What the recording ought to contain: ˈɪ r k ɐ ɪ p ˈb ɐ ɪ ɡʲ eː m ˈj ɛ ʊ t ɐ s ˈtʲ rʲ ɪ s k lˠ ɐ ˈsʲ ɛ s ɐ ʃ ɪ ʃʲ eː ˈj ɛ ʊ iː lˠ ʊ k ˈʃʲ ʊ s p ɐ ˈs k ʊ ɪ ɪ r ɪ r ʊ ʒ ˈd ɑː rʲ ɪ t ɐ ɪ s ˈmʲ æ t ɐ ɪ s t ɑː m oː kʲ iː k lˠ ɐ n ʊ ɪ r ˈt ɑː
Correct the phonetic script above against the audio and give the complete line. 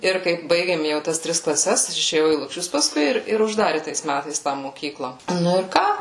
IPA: ˈɪ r k ɐ ɪ p ˈb ɐ ɪ ɡʲ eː m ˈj ɛ ʊ t ɐ s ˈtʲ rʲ ɪ s k lˠ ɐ ˈsʲ ɛ s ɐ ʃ ɪ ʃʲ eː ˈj ɛ ʊ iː lˠ ʊ k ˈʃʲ ʊ s p ɐ ˈs k ʊ ɪ ɪ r ɪ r ʊ ʒ ˈd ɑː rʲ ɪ t ɐ ɪ s ˈmʲ æ t ɐ ɪ s t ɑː m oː kʲ iː k lˠ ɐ n ʊ ɪ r ˈk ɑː